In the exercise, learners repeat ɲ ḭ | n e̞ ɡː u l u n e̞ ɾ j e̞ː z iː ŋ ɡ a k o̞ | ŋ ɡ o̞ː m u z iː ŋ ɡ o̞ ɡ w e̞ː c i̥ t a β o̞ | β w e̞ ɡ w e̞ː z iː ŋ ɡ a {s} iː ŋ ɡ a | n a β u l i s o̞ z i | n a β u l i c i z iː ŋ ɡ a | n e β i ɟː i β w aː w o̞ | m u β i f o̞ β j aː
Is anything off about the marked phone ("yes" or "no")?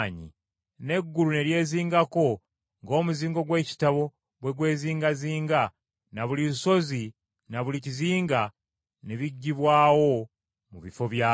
yes